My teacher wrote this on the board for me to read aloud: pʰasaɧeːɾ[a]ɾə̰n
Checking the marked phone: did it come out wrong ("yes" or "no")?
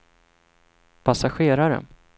no